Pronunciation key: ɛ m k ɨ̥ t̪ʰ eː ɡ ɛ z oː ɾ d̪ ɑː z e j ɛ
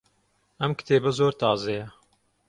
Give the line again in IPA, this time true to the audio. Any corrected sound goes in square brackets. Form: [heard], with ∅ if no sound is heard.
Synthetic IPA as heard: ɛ m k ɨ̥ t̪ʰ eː [b] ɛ z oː ɾ [t̪] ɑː z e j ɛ